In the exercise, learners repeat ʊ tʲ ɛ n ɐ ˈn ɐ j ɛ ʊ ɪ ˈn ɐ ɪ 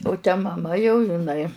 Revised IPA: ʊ tʲ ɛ m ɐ ˈm ɐ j ɛ ʊ ɪ ˈn ɐ ɪ